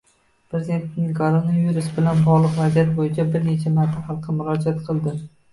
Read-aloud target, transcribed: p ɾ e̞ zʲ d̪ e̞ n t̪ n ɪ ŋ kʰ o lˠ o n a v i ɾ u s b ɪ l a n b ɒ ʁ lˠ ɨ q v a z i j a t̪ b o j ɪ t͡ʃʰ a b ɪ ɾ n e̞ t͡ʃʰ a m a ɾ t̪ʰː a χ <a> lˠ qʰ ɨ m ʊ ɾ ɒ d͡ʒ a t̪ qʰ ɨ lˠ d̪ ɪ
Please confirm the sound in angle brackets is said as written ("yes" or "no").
no